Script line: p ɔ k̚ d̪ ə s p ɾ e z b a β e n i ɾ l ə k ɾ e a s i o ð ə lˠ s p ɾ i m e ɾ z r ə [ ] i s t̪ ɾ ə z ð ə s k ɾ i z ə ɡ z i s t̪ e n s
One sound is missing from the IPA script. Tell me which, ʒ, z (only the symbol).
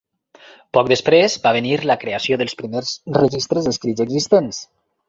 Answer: ʒ